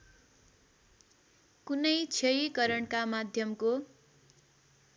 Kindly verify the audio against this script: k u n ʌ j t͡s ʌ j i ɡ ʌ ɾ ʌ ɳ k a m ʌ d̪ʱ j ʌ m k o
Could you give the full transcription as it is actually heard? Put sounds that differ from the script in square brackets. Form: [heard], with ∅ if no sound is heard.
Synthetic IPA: k u n ʌ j [t͡sʰ] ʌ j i [k] ʌ ɾ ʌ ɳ k a m [a] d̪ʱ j ʌ m k o